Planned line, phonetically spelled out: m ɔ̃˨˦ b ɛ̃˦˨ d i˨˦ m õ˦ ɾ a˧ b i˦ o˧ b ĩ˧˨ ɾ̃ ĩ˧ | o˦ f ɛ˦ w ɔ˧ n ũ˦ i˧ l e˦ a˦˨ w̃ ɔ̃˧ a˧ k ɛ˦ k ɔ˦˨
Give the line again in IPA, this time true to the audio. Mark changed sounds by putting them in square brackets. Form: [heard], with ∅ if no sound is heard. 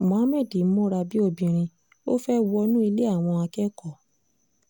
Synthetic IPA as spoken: m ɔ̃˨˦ [m] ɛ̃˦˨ d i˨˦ m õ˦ ɾ a˧ b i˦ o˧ b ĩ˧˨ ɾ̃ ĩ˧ | o˦ f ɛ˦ w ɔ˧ n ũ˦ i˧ l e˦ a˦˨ w̃ ɔ̃˧ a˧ k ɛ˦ k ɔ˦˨